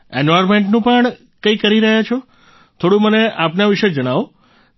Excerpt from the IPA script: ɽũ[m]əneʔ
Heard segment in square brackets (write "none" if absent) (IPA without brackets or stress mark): m